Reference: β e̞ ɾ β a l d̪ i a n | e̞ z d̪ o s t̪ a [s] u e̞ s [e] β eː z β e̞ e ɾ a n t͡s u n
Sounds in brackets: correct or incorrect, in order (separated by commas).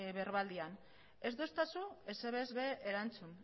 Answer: correct, correct